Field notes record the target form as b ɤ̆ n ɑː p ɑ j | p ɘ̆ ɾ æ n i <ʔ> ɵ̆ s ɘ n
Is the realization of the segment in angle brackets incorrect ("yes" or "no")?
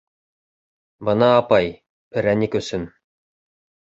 yes